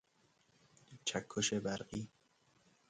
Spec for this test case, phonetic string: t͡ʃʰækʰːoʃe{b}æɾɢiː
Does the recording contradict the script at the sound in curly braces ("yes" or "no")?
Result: no